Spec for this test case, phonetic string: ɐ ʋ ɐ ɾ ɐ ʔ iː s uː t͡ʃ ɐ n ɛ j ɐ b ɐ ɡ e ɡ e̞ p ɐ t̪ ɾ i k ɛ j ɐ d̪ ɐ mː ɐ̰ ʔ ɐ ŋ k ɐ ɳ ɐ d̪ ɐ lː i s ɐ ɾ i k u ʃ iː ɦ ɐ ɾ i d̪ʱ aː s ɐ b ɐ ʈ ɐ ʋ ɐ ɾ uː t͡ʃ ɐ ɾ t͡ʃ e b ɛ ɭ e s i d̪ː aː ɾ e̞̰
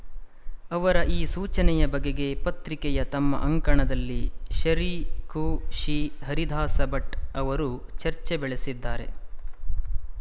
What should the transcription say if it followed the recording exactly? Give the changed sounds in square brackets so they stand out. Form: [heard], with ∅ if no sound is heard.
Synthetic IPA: ɐ ʋ ɐ ɾ ɐ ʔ iː s uː t͡ʃ ɐ n ɛ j ɐ b ɐ ɡ e ɡ e̞ p ɐ t̪ ɾ i k ɛ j ɐ [t̪] ɐ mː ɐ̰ ʔ ɐ ŋ k ɐ ɳ ɐ d̪ ɐ lː i [ʃ] ɐ ɾ i k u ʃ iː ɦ ɐ ɾ i d̪ʱ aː s ɐ b ɐ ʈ ɐ ʋ ɐ ɾ [u] t͡ʃ ɐ ɾ t͡ʃ e b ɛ ɭ e s i d̪ː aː ɾ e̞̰